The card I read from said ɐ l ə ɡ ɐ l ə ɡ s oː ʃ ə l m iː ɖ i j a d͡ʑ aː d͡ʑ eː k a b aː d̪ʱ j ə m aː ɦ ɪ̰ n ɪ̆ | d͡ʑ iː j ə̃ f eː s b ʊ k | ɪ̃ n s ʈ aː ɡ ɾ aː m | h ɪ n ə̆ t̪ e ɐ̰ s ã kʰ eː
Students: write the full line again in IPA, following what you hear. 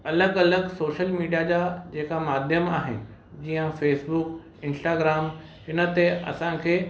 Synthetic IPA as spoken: ɐ l ə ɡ ɐ l ə ɡ s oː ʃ ə l m iː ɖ i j a d͡ʑ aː d͡ʑ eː k a m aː d̪ʱ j ə m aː ɦ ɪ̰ n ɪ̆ | d͡ʑ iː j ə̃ f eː s b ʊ k | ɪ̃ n s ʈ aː ɡ ɾ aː m | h ɪ n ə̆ t̪ e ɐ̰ s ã kʰ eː